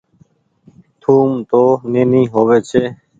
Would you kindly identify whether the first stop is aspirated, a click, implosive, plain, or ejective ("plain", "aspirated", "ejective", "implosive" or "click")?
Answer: aspirated